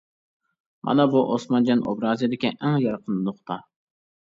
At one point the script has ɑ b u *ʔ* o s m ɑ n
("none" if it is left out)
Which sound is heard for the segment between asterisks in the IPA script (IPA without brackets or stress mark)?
ʔ